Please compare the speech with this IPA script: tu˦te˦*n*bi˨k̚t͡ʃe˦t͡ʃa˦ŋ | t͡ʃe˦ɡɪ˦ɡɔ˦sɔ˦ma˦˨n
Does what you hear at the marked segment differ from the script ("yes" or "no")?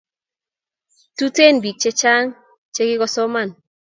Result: no